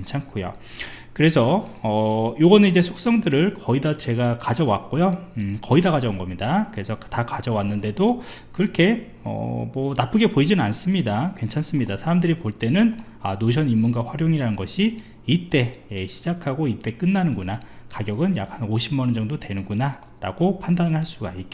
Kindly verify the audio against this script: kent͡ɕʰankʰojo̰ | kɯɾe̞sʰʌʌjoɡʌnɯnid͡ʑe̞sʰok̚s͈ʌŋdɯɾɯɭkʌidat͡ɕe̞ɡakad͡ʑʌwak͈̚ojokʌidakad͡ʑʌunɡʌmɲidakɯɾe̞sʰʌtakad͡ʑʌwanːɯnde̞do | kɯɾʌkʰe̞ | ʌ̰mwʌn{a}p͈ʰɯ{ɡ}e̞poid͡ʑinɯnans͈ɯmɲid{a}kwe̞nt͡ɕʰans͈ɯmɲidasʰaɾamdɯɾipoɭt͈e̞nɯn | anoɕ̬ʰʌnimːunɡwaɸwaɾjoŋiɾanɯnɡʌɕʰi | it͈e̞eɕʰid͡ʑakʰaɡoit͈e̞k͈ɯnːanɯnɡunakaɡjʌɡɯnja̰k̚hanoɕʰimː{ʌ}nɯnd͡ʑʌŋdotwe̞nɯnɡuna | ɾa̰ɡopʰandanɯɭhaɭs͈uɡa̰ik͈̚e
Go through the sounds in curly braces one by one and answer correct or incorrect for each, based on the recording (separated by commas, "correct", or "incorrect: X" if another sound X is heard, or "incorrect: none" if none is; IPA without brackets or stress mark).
correct, correct, correct, correct